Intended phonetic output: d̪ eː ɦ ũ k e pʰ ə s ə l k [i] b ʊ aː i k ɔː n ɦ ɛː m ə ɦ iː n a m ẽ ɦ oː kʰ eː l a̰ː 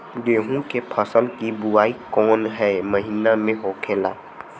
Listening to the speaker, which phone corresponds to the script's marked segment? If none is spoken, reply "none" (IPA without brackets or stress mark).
i